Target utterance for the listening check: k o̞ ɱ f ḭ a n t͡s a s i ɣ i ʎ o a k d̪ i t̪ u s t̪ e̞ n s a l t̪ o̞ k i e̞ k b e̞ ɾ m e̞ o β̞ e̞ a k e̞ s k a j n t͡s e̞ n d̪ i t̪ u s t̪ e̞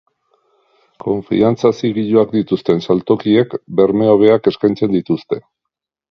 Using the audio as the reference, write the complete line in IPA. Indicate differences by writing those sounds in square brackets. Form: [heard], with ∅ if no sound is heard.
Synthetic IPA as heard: k o̞ ɱ f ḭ a n t͡s a s i ɣ i ʎ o a k d̪ i t̪ u s t̪ e̞ n s a l t̪ o̞ k i e̞ k b e̞ ɾ m e̞ o β̞ e̞ a k e̞ s k a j n t͡s e̞ n d̪ i t̪ u s t̪ e̞